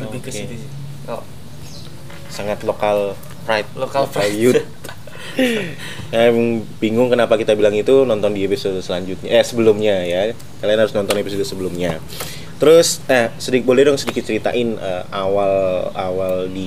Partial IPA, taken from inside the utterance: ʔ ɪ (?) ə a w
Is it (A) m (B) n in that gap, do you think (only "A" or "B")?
B